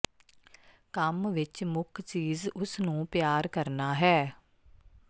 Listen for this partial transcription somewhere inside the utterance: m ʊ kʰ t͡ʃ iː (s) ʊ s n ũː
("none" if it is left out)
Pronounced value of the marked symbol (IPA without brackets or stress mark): z